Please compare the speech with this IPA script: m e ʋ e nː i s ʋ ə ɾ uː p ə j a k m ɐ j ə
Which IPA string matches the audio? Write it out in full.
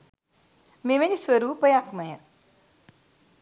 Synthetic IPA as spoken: m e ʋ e n i s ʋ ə ɾ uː p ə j a k m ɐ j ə